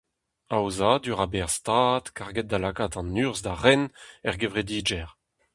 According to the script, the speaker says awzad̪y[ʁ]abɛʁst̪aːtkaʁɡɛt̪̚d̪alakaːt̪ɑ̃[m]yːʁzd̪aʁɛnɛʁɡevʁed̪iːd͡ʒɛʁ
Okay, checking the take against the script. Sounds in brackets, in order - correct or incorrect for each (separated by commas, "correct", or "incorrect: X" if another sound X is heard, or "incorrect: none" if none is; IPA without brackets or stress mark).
correct, incorrect: n